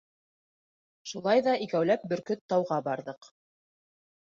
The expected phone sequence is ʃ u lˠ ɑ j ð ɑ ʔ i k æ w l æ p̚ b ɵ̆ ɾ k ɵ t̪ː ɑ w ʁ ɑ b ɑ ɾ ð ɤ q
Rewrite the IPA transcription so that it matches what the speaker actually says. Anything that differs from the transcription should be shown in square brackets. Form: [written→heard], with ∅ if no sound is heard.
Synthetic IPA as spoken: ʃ u lˠ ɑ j ð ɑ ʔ i k æ w l æ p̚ b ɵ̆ ɾ k ɵ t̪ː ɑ w ʁ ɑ b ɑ ɾ ð ɤ q